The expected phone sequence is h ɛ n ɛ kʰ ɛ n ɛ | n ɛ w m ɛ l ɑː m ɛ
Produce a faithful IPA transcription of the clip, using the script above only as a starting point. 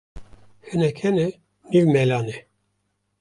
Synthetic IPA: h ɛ n ɛ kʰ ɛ n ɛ | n i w m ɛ l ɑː n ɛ

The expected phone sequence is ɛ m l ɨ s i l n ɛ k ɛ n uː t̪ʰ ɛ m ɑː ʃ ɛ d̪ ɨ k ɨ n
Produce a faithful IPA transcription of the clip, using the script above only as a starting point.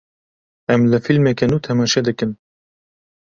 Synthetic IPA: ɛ m l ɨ f i l m ɛ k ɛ n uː t̪ʰ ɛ m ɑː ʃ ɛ d̪ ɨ k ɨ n

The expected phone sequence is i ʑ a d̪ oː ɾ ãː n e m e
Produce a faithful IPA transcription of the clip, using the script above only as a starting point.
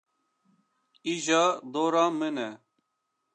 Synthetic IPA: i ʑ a d̪ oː ɾ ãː m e n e

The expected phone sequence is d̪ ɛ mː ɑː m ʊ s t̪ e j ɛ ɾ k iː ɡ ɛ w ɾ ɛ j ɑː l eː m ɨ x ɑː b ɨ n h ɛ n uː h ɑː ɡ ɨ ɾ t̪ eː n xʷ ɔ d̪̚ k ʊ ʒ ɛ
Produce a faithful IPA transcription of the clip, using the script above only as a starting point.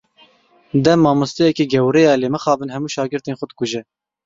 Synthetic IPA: d̪ ɛ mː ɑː m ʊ s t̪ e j ɛ k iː ɡ ɛ w ɾ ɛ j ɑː l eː m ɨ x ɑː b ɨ n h ɛ m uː ʃ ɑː ɡ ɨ ɾ t̪ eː n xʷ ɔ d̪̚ k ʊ ʒ ɛ

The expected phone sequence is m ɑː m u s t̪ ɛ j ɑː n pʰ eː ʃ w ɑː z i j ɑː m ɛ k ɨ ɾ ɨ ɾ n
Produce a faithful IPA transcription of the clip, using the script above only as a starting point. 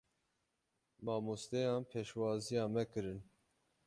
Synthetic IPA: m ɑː m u s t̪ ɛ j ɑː n pʰ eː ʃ w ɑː z i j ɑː m ɛ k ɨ ɾ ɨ n

